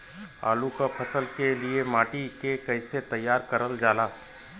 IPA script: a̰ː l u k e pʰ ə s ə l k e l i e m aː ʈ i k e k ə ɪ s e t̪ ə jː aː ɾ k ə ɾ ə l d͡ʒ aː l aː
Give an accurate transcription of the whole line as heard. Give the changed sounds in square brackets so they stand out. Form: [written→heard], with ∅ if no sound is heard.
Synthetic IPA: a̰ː l u k [e→a] pʰ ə s ə l k e l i e m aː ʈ i k e k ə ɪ s e t̪ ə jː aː ɾ k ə ɾ ə l d͡ʒ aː l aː